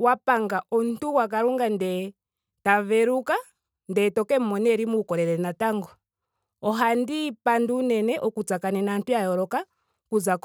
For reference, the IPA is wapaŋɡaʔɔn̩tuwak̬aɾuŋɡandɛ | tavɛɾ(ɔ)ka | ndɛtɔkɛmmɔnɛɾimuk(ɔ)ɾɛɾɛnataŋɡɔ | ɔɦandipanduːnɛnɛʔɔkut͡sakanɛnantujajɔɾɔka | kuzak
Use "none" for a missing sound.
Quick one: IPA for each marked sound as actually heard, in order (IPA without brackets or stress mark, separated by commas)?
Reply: u, ɔ